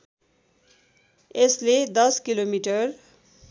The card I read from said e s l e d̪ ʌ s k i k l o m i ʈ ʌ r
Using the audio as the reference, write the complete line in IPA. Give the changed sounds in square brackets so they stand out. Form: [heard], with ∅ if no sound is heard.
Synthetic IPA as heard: e s l e d̪ ʌ s k i [∅] l o m i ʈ ʌ r